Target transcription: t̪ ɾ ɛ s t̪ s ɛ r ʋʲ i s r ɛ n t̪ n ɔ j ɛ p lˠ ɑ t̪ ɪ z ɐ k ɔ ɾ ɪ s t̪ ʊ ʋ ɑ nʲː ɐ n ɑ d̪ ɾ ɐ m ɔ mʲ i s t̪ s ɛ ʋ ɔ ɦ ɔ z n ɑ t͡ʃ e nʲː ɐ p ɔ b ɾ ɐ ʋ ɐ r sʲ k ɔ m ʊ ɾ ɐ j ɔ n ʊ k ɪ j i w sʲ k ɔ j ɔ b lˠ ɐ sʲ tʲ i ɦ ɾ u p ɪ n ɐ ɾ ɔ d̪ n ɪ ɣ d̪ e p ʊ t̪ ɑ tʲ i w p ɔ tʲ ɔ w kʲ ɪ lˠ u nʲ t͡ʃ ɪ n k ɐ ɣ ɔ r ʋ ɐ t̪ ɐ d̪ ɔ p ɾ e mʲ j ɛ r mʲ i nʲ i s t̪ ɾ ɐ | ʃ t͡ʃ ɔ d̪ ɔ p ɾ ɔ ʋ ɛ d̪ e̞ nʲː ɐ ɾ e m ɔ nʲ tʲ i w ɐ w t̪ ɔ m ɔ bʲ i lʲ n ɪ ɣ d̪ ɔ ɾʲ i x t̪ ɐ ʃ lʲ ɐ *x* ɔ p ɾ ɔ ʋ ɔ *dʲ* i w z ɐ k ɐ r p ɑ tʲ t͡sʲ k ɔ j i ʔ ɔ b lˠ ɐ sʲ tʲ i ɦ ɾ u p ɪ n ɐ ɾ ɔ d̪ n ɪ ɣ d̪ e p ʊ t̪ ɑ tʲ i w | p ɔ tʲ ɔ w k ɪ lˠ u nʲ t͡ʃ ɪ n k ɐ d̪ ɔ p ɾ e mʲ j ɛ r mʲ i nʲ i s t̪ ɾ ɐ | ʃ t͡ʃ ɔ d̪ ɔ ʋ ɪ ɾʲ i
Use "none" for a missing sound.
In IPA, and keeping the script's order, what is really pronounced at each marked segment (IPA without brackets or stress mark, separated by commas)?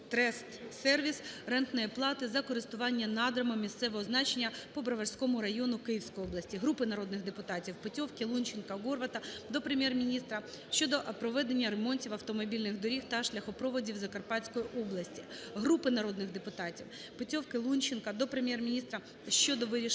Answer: x, dʲ